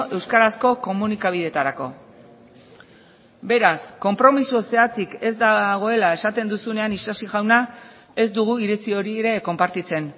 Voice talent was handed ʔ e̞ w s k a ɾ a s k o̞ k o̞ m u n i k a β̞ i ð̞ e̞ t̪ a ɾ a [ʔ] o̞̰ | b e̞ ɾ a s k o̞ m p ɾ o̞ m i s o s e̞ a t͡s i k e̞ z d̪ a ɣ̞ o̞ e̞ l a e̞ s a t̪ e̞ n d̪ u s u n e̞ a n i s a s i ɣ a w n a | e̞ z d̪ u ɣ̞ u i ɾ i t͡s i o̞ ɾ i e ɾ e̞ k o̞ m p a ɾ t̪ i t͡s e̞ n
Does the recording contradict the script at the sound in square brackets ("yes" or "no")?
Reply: yes